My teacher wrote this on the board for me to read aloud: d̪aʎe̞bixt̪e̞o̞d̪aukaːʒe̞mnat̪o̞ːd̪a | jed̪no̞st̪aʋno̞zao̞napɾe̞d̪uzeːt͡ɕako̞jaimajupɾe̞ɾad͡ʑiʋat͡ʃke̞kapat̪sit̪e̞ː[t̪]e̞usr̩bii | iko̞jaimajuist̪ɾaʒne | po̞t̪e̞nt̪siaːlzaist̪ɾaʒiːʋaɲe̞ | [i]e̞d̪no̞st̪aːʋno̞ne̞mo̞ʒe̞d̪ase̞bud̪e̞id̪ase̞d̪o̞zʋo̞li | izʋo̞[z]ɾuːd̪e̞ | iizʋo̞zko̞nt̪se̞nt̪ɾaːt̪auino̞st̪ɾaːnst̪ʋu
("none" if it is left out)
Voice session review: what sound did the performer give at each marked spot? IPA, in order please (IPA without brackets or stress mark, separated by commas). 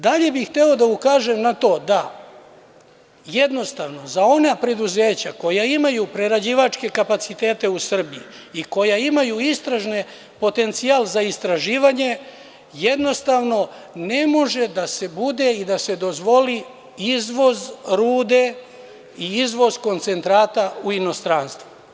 t̪, j, z